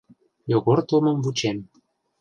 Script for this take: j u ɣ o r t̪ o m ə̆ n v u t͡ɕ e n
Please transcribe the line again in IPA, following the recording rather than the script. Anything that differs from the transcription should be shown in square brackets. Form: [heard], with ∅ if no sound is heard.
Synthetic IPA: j [o] ɣ o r t̪ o m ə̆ [m] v u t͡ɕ e [m]